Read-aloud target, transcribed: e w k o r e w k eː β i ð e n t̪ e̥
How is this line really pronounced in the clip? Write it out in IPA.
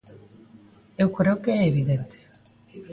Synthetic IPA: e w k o ɾ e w k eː β i ð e n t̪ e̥